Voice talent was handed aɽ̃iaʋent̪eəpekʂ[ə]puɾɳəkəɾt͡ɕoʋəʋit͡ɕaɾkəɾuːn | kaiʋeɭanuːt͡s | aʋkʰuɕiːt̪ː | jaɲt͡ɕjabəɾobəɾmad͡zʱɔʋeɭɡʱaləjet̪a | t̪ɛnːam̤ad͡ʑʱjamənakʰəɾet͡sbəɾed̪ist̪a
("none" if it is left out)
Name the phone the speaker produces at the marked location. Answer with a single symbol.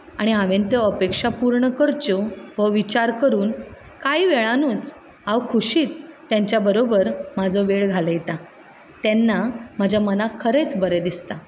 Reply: a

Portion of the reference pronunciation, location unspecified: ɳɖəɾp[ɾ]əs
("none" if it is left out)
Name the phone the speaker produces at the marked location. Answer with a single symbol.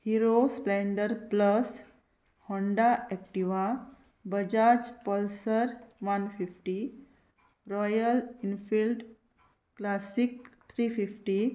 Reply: l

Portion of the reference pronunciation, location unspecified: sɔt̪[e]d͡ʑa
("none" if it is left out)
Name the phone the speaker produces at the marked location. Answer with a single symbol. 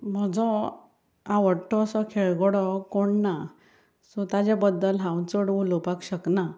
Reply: a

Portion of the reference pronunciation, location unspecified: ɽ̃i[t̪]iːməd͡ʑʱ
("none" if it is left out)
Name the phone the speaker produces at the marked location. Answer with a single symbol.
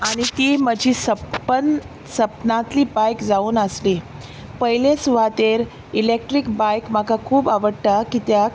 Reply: t̪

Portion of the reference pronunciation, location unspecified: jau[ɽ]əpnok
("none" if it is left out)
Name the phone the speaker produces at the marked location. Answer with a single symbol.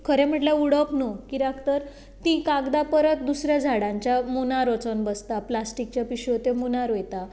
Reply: ɽ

